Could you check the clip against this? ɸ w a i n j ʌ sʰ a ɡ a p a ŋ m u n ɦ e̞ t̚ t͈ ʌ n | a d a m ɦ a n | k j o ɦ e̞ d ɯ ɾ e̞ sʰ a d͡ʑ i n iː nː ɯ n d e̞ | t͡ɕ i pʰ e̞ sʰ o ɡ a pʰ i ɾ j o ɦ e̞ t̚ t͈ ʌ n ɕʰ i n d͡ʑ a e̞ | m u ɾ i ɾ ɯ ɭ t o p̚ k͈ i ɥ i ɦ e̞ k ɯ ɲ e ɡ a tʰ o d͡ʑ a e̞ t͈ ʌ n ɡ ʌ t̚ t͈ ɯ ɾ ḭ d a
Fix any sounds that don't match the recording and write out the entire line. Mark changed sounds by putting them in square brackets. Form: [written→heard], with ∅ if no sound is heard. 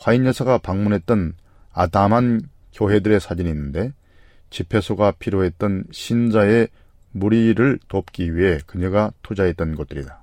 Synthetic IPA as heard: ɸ w a i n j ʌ sʰ a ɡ a p a ŋ m u n ɦ e̞ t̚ t͈ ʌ n | a d a m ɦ a n | k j o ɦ e̞ d ɯ ɾ e̞ sʰ a d͡ʑ i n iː nː ɯ n d e̞ | t͡ɕ i pʰ e̞ sʰ o ɡ a pʰ i ɾ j o ɦ e̞ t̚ t͈ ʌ n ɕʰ i n d͡ʑ a e̞ | m u ɾ i ɾ ɯ ɭ t o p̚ k͈ i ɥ i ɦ e̞ k ɯ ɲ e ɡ a tʰ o d͡ʑ a e̞ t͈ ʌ n ɡ ʌ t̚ t͈ ɯ ɾ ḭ d a